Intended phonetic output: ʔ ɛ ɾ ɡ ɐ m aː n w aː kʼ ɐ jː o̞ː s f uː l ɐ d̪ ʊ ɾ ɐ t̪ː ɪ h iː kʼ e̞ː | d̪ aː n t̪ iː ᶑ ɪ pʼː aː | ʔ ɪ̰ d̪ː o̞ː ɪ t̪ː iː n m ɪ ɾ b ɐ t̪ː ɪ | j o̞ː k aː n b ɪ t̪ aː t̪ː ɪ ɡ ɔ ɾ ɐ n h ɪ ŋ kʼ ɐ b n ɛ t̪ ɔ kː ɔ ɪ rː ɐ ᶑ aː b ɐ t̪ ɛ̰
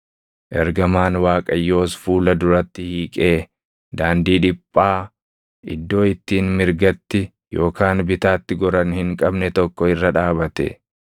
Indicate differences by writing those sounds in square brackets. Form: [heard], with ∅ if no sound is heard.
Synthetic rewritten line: ʔ ɛ ɾ ɡ ɐ m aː n w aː kʼ ɐ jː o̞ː s f uː l ɐ d̪ ʊ ɾ ɐ t̪ː ɪ h iː kʼ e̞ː | d̪ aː n [d̪] iː ᶑ ɪ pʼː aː | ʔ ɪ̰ d̪ː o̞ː ɪ t̪ː iː n m ɪ ɾ [ɡ] ɐ t̪ː ɪ | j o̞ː k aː n b ɪ t̪ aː t̪ː ɪ ɡ ɔ ɾ ɐ n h ɪ ŋ kʼ ɐ b n ɛ t̪ ɔ kː ɔ ɪ rː ɐ ᶑ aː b ɐ t̪ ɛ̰